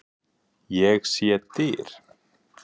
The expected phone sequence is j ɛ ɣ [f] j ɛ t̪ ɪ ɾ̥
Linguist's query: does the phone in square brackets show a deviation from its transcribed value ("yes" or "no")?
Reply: yes